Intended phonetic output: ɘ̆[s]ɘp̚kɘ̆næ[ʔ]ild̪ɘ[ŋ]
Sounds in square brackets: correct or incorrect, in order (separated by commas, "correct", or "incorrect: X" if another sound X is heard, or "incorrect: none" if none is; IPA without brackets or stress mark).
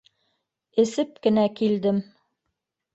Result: correct, incorrect: k, incorrect: m